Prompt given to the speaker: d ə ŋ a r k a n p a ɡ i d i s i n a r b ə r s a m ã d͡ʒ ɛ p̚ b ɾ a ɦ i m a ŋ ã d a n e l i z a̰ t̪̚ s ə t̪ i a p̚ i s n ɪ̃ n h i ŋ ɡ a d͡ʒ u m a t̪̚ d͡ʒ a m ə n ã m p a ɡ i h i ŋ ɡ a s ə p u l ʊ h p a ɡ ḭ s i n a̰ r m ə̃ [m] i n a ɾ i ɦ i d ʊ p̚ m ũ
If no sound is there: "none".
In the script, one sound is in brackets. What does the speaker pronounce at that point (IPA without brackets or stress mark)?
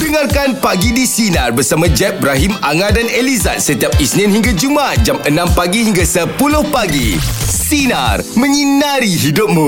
ɲ